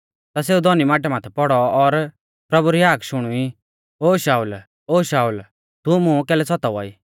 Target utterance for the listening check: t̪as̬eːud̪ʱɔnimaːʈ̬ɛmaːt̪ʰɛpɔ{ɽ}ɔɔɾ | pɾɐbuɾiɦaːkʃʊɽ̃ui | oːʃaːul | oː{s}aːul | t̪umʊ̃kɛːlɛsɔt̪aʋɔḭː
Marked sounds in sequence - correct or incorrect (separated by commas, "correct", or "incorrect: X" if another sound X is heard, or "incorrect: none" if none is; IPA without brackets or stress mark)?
correct, incorrect: ʃ